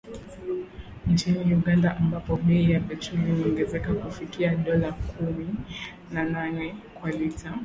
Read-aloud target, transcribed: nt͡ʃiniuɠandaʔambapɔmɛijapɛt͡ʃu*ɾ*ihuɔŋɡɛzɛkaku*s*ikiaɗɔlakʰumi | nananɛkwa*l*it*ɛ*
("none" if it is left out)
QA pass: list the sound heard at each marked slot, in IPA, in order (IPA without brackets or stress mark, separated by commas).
l, f, l, a